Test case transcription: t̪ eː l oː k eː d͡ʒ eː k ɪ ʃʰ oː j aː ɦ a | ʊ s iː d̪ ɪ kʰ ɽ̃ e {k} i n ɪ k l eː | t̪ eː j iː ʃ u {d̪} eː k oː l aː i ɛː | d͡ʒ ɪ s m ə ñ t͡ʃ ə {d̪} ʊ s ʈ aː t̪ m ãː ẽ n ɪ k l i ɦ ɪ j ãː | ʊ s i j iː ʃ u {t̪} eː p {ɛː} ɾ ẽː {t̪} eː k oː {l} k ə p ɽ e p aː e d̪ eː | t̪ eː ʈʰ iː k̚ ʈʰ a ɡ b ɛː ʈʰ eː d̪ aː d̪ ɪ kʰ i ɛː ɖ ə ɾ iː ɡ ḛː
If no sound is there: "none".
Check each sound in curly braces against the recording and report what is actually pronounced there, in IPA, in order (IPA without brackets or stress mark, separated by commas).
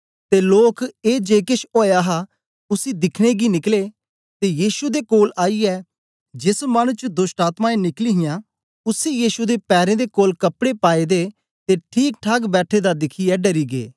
ɡ, d̪, d̪, d̪, ɛː, d̪, l